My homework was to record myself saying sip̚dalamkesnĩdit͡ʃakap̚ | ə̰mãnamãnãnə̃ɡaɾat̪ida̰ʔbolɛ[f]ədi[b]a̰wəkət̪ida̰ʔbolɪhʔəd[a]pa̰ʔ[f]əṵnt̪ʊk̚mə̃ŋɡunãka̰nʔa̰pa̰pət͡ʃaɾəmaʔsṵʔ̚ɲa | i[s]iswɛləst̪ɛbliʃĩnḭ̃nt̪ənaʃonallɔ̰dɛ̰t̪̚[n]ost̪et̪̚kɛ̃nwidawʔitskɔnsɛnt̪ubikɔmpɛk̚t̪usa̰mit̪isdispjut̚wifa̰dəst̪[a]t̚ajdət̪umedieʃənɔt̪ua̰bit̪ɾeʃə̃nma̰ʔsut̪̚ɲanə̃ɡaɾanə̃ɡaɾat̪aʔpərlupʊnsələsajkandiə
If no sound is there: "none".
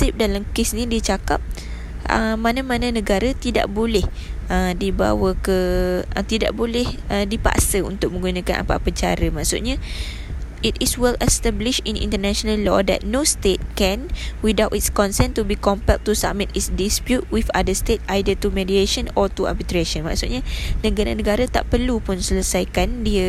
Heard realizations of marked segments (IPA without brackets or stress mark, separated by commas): h, b, i, s, t, n, e